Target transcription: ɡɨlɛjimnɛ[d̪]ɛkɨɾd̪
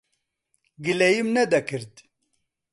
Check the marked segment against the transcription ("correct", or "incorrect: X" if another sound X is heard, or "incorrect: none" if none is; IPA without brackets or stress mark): correct